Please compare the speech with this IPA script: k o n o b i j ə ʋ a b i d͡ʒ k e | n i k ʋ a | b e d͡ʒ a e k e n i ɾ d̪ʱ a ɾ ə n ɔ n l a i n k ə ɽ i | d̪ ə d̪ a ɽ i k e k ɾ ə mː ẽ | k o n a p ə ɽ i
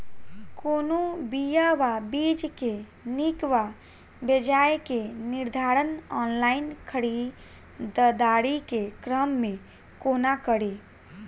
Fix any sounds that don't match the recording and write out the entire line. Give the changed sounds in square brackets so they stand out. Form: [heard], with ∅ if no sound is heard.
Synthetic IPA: k o n o b i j [a] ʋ a b i d͡ʒ k e | n i k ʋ a | b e d͡ʒ a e k e n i ɾ d̪ʱ a ɾ ə n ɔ n l a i n [kʰ] ə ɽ i | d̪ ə d̪ a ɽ i k e k ɾ ə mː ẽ | k o n a [k] ə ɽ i